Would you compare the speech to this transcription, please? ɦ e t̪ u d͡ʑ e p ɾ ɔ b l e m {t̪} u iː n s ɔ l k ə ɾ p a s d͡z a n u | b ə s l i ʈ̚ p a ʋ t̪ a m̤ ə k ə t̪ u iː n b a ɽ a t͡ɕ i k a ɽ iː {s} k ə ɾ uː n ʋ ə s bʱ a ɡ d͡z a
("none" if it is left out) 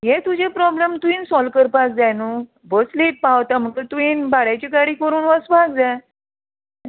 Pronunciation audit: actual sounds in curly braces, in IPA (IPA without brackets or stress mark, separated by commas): t̪, none